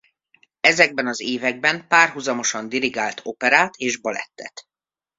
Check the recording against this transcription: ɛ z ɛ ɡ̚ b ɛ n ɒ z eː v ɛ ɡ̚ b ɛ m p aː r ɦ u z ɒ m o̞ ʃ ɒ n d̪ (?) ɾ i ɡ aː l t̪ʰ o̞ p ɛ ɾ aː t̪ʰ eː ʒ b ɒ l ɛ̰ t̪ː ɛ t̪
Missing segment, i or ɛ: i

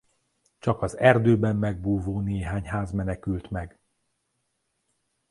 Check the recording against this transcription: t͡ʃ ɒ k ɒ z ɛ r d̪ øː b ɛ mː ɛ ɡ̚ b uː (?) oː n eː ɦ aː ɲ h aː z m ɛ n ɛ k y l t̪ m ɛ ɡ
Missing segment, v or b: v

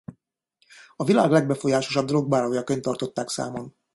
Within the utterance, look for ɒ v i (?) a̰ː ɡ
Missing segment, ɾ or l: l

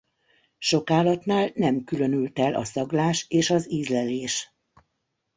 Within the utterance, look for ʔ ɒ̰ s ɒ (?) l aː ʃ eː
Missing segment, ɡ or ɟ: ɡ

